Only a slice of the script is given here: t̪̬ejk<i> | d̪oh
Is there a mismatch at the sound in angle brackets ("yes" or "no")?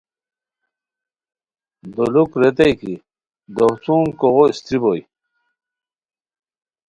no